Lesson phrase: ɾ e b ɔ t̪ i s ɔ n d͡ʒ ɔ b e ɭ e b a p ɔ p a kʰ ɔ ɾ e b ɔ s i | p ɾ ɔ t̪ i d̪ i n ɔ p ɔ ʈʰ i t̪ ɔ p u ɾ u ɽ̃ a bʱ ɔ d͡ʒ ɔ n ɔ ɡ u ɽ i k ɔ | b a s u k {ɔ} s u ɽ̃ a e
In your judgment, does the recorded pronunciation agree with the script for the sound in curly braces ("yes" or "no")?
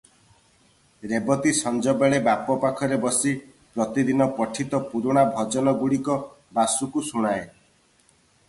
no